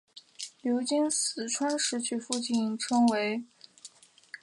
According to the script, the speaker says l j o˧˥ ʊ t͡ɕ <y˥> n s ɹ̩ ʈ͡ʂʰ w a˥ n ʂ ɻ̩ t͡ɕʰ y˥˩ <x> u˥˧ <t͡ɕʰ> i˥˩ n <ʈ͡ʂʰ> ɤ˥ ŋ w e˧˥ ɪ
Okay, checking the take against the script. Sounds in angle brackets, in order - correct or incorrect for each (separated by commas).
incorrect, incorrect, incorrect, correct